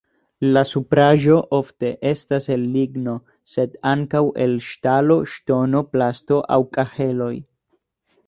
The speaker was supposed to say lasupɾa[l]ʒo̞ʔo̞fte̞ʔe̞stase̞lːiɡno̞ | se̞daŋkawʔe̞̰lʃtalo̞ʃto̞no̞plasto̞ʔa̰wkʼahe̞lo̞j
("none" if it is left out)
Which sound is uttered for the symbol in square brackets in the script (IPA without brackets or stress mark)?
none